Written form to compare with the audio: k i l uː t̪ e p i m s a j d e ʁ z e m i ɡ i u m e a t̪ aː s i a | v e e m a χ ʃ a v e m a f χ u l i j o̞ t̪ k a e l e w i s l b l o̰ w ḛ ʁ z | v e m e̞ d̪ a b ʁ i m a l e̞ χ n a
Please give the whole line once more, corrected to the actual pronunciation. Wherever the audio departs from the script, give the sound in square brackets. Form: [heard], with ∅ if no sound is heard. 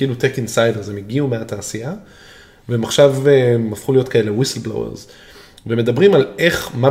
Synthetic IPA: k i l [u] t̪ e [k] i [n] s a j d e ʁ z e m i ɡ i u m e a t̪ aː s i a | v e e m a χ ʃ a v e m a f χ u l i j o̞ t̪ k a e l e w i s l b l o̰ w ḛ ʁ z | v e m e̞ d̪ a b ʁ i m a l e̞ χ [m] a